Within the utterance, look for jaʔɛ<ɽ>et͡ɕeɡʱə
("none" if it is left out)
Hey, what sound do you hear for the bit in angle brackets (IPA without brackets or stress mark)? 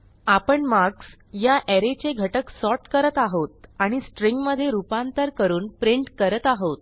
ɾ